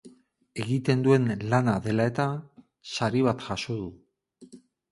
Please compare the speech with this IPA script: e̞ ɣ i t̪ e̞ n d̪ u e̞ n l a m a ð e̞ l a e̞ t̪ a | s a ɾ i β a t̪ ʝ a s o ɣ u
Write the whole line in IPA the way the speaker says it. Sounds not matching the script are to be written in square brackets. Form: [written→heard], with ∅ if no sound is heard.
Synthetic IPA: e̞ ɣ i t̪ e̞ n d̪ u e̞ n l a [m→n] a ð e̞ l a e̞ t̪ a | s a ɾ i β a t̪ ʝ a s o [ɣ→ð] u